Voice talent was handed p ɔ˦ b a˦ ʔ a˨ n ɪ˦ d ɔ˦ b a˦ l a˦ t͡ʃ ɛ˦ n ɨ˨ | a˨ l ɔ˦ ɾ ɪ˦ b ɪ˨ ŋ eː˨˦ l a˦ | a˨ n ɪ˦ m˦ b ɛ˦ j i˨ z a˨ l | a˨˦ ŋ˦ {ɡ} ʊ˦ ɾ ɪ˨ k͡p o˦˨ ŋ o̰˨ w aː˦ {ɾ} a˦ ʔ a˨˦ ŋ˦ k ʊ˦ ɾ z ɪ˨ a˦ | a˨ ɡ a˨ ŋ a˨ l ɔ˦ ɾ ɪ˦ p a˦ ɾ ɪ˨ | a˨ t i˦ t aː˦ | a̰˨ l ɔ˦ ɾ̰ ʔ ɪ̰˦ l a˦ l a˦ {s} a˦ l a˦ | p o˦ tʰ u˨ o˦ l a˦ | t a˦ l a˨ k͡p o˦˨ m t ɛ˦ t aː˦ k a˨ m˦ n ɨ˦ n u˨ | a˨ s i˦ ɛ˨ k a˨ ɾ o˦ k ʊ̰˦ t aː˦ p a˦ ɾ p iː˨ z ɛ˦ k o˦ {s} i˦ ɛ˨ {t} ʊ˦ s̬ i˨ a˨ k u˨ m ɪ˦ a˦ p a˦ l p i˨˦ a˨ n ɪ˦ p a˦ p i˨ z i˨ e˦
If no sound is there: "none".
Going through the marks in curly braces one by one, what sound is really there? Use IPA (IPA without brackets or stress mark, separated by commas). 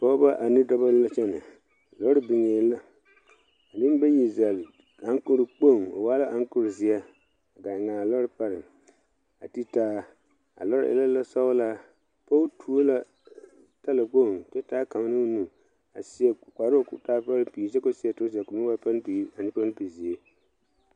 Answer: k, l, s, s, t